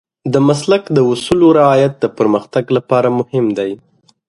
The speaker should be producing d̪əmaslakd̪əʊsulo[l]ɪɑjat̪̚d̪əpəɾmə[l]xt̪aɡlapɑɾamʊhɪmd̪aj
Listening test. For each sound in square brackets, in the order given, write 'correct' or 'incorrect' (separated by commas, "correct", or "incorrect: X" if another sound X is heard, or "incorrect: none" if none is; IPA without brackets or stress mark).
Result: incorrect: ɾ, incorrect: none